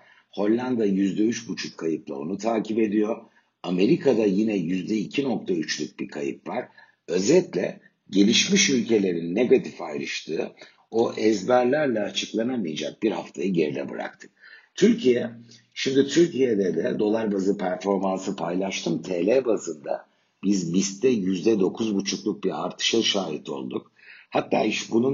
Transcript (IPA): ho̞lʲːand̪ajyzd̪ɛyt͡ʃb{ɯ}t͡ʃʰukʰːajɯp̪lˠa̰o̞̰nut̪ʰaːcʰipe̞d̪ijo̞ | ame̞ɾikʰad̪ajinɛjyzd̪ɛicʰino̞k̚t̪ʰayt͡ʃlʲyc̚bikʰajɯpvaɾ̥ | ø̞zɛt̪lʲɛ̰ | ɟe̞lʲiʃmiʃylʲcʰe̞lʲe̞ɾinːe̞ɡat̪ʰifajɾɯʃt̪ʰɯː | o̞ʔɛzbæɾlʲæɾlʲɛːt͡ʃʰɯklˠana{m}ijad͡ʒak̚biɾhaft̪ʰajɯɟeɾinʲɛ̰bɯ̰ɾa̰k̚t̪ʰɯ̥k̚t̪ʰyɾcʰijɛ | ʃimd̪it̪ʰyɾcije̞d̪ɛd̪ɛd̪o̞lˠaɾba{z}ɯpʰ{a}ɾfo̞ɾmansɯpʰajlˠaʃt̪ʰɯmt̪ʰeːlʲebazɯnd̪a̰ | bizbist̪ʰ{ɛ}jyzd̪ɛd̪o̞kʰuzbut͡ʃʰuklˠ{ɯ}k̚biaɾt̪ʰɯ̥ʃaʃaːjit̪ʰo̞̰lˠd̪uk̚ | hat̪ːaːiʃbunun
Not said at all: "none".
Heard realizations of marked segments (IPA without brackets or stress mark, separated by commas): u, m, z, æ, ɛ, u